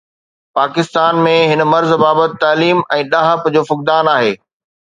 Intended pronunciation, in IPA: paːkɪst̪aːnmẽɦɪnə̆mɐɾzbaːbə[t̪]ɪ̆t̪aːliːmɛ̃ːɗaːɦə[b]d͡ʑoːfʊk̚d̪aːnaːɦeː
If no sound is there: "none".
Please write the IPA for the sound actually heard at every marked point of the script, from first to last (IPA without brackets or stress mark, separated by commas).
t̪, p